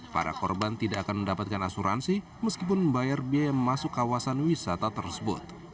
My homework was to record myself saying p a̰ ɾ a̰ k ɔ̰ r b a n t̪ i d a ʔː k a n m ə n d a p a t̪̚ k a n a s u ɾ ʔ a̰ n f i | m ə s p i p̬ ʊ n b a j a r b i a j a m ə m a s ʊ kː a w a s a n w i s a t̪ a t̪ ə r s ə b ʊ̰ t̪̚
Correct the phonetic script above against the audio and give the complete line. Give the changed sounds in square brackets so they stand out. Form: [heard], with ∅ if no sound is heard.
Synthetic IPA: p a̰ ɾ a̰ k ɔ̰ r b a n t̪ i d a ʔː k a n m ə n d a p a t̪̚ k a n a s u ɾ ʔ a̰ n [s] i | m ə s [k] i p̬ ʊ n b a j a r b i a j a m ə m a s ʊ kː a w a s a n w i s a t̪ a t̪ ə r s ə b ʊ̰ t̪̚

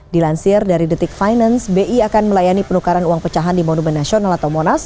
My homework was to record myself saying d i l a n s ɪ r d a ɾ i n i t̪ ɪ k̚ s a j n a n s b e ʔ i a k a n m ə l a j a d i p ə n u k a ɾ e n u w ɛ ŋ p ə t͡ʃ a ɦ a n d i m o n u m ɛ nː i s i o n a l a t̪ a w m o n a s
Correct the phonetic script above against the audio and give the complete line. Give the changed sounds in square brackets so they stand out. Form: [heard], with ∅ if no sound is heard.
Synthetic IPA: d i l a n s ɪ r d a ɾ i [d] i t̪ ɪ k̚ [f] a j n a n s b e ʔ i a k a n m ə l a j a [n] i p ə n u k a ɾ [a] n u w [a] ŋ p ə t͡ʃ a ɦ a n d i m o n u m ɛ nː [a] s i o n a l a t̪ a w m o n a s

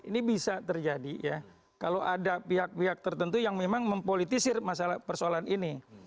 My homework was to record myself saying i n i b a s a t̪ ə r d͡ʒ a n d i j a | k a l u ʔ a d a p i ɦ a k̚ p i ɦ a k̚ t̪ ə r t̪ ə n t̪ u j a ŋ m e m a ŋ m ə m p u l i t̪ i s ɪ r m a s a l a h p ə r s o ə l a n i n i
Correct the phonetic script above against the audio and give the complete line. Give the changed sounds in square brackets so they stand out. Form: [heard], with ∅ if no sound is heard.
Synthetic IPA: i n i b [i] s a t̪ ə r d͡ʒ a [∅] d i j a | k a l [o] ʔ a d a p i ɦ a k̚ p i ɦ a k̚ t̪ ə r t̪ ə n t̪ u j a ŋ m e m a ŋ m ə m p [o] l i t̪ i s ɪ r m a s a l a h p ə r s o [a] l a n i n i

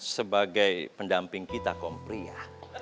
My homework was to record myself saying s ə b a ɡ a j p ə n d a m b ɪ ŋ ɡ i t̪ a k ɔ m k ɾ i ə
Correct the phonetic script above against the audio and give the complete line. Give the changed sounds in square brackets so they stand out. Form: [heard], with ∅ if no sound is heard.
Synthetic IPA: s ə b a ɡ a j p ə n d a m [p] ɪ ŋ [k] i t̪ a k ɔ m [p] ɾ i [a]

